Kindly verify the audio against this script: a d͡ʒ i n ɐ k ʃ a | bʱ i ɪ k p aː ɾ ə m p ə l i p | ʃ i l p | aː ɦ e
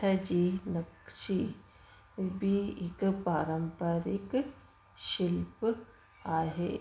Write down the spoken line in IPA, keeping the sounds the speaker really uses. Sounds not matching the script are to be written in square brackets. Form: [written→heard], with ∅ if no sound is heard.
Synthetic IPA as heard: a d͡ʒ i n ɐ k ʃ [a→i] | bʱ i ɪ k p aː ɾ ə m p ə [l→ɾ] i [p→k] | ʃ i l p | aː ɦ e

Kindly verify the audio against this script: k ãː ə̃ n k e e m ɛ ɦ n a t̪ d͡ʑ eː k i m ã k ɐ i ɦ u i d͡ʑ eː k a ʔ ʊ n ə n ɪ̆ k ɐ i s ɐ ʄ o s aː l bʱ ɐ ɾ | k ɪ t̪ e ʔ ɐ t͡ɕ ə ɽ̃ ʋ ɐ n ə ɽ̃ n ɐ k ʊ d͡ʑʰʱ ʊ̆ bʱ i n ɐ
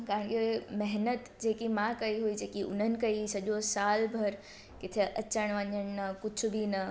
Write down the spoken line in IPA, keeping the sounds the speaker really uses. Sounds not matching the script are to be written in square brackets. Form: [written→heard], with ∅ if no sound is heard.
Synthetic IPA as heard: k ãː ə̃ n k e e m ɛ ɦ n [a→ə] t̪ d͡ʑ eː k i m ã k ɐ i ɦ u i d͡ʑ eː k [a→i] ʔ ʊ n ə n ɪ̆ k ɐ i s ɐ ʄ o s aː l bʱ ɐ ɾ | k ɪ [t̪→t̪ʰ] e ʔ ɐ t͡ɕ ə ɽ̃ ʋ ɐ [n→ɲ] ə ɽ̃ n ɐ k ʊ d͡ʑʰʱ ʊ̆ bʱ i n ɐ

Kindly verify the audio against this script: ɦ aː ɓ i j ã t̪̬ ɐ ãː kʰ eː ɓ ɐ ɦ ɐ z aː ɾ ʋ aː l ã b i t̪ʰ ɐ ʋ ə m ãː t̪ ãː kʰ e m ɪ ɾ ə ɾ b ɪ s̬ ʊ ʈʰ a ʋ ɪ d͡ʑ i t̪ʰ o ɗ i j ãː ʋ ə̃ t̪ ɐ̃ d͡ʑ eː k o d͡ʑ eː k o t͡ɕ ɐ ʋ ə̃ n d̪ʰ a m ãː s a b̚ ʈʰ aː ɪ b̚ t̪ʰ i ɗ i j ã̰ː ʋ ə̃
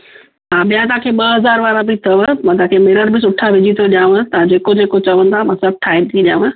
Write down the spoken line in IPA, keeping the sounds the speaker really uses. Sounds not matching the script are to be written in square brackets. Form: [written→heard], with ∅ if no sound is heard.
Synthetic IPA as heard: ɦ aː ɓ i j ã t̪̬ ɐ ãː kʰ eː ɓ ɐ ɦ ɐ z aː ɾ ʋ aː [l→ɾ] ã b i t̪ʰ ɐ ʋ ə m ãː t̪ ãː kʰ e m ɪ ɾ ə ɾ b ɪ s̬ ʊ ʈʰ a ʋ ɪ d͡ʑ i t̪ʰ o ɗ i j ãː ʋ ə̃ t̪ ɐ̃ d͡ʑ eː k o d͡ʑ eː k o t͡ɕ ɐ ʋ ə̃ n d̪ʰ a m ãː s [a→ɐ] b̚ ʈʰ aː ɪ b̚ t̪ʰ i ɗ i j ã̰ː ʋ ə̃

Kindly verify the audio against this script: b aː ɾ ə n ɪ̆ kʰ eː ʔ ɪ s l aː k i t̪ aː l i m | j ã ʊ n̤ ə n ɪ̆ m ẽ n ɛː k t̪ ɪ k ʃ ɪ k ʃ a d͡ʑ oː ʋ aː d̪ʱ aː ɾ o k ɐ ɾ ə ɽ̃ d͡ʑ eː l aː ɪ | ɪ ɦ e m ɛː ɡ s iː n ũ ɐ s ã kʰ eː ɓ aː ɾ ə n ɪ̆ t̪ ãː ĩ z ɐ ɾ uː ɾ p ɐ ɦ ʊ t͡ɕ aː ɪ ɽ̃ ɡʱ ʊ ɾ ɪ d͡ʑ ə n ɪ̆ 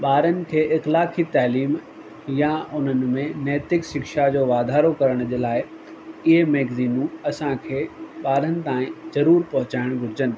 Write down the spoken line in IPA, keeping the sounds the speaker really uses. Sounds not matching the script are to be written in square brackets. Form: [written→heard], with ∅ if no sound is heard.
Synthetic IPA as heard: [b→ɓ] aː ɾ ə n ɪ̆ kʰ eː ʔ ɪ [s→x] l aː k i t̪ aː l [i→iː] m | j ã ʊ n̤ ə n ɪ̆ m ẽ n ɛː [k→∅] t̪ ɪ k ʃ ɪ k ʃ a d͡ʑ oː ʋ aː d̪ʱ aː ɾ o k ɐ ɾ ə ɽ̃ d͡ʑ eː l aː ɪ | ɪ ɦ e m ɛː ɡ [s→z] iː n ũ ɐ s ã kʰ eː ɓ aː ɾ ə n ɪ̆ t̪ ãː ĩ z ɐ ɾ uː ɾ p ɐ ɦ ʊ t͡ɕ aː ɪ ɽ̃ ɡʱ ʊ ɾ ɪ d͡ʑ ə n ɪ̆

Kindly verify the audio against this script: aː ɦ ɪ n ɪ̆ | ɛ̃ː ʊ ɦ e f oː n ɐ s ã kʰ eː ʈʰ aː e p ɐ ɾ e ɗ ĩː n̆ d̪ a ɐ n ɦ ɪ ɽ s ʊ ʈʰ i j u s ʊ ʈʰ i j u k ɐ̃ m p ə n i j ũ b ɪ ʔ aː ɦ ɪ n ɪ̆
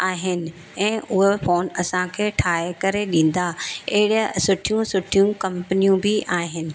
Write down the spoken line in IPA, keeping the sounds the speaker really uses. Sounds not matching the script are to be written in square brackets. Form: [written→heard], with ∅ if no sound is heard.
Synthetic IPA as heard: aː ɦ ɪ n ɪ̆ | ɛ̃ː ʊ ɦ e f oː n ɐ s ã kʰ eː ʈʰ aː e [p→k] ɐ ɾ e ɗ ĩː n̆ d̪ a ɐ [n→∅] ɦ ɪ ɽ s ʊ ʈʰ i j [u→ũ] s ʊ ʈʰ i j [u→ũ] k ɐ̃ m p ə n i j ũ b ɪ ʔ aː ɦ ɪ n ɪ̆

